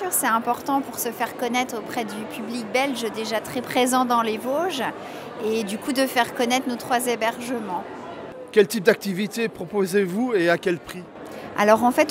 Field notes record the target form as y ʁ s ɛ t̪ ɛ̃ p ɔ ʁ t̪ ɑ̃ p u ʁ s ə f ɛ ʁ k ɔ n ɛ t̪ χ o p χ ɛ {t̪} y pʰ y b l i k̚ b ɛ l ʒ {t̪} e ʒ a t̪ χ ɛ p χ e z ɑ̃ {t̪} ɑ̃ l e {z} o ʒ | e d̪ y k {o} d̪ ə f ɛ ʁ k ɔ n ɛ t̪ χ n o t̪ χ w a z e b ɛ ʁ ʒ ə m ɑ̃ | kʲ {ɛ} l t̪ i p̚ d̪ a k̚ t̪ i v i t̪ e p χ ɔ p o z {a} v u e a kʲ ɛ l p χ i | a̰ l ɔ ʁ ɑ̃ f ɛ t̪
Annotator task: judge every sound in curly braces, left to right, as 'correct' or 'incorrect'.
incorrect: d̪, incorrect: d̪, incorrect: d̪, incorrect: v, incorrect: u, correct, incorrect: e

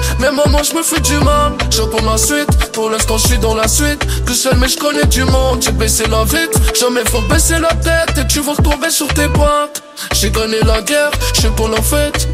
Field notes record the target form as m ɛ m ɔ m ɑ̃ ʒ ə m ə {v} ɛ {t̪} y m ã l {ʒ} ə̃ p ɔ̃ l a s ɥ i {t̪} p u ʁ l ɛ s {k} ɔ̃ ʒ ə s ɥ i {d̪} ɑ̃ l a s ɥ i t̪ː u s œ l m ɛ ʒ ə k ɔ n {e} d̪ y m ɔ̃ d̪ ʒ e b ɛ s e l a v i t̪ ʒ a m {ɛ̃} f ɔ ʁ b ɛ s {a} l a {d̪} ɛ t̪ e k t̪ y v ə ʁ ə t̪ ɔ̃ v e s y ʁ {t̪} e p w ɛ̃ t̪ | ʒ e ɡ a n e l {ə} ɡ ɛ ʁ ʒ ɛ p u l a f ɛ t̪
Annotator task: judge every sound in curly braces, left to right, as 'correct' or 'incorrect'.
incorrect: f, incorrect: d̪, correct, correct, correct, correct, incorrect: ɛ, incorrect: ɛ, incorrect: e, incorrect: t̪, correct, incorrect: a

